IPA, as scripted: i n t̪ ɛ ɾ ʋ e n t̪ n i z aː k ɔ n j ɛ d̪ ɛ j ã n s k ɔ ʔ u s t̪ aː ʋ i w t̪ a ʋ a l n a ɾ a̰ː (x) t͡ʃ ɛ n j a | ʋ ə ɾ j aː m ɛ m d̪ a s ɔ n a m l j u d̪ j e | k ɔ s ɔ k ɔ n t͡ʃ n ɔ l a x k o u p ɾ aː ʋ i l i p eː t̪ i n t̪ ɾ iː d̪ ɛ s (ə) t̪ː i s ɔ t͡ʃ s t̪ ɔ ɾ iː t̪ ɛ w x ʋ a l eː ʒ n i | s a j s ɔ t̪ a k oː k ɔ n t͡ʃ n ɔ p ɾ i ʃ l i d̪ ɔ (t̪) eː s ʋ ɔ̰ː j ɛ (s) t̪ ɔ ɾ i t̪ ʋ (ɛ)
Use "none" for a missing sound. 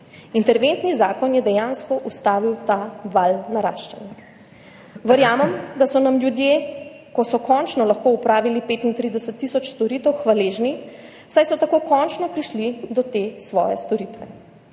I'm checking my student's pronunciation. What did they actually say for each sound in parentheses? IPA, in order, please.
ʃ, ə, t̪, s, ɛ

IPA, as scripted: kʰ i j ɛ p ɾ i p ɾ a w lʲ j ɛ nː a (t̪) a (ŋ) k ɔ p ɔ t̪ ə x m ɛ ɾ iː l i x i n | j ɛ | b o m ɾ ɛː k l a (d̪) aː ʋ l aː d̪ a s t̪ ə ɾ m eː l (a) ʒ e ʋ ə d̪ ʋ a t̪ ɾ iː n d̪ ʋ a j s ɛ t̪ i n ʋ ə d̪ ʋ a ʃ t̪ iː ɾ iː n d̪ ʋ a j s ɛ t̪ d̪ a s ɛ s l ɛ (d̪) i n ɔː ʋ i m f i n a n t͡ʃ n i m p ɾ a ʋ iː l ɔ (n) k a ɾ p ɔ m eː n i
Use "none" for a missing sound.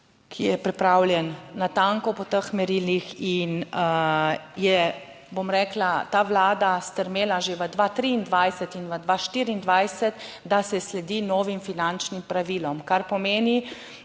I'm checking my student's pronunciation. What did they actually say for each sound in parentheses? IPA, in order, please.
t̪, ŋ, t̪, a, d̪, m

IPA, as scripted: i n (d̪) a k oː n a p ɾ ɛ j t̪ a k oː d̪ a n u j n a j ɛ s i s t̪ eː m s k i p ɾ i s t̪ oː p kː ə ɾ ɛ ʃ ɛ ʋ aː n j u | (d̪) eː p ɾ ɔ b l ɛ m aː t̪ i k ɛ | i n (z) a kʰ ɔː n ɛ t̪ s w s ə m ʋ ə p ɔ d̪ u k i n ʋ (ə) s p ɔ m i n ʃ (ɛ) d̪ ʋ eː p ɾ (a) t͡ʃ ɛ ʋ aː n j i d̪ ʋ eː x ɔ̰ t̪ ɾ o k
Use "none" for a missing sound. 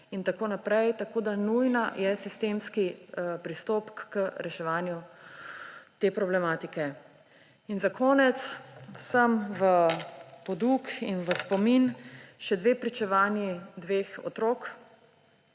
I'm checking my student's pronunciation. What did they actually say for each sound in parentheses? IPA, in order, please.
t̪, t̪, z, ə, ɛ, i

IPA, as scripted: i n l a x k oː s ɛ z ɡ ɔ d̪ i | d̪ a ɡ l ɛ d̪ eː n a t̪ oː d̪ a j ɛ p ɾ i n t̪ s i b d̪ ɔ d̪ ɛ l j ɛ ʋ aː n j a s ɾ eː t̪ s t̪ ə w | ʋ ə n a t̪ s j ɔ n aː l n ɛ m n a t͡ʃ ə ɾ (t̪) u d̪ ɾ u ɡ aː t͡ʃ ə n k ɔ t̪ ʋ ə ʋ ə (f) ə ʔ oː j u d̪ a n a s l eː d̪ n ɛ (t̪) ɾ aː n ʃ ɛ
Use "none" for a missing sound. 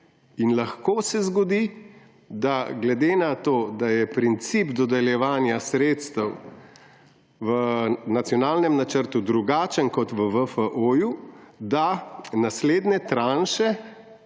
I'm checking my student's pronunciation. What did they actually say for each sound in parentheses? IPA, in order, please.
t̪, f, t̪

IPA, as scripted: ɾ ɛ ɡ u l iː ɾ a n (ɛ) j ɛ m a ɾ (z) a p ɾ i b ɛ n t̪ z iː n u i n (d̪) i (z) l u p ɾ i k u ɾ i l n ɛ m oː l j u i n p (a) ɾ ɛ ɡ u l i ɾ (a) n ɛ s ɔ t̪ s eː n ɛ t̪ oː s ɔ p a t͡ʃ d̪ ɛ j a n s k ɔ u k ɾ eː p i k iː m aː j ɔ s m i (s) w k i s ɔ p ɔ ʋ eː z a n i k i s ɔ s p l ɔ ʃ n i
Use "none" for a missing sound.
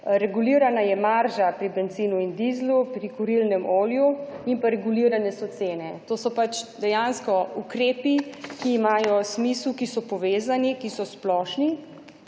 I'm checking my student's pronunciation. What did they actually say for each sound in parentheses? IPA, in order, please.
a, ʒ, d̪, z, a, a, s

